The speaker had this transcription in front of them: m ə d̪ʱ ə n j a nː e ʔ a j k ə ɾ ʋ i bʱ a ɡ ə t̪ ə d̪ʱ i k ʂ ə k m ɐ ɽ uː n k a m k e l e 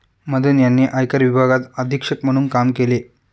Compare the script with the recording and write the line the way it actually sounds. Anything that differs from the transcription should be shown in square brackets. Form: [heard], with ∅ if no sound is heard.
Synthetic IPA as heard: m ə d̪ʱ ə n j a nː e ʔ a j k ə ɾ ʋ i bʱ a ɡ [a] t̪ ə d̪ʱ i k ʂ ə k m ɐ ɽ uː n k a m k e l e